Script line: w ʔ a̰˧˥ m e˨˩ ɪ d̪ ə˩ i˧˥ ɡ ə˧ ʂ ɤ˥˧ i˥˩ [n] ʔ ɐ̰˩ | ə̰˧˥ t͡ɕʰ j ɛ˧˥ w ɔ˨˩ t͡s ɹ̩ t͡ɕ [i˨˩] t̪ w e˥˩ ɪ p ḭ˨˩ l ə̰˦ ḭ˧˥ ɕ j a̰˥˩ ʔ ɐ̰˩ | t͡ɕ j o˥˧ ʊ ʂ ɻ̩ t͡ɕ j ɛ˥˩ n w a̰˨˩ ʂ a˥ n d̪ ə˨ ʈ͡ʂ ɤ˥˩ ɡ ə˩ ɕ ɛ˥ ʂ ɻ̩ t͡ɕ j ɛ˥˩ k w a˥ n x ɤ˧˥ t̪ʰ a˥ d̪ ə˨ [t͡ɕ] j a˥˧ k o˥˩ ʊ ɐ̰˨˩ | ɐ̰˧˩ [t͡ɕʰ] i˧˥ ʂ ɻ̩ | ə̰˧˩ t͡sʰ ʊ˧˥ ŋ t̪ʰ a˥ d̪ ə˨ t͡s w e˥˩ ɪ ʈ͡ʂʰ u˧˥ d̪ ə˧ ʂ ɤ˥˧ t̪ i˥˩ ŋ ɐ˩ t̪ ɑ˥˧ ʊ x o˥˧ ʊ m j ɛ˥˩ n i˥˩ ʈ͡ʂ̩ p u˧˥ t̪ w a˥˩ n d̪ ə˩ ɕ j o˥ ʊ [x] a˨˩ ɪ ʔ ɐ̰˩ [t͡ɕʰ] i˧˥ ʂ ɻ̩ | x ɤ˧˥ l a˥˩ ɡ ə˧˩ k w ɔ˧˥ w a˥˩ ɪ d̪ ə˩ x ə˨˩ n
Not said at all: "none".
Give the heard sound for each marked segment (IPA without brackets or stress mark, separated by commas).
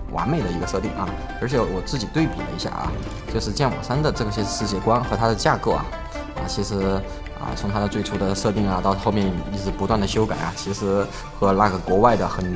ŋ, i˨˩, t͡ɕ, t͡ɕʰ, k, t͡ɕʰ